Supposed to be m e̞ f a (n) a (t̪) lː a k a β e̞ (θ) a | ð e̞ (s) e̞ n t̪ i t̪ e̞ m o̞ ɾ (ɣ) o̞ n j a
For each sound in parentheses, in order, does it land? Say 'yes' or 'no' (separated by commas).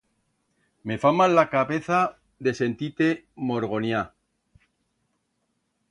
no, no, yes, yes, yes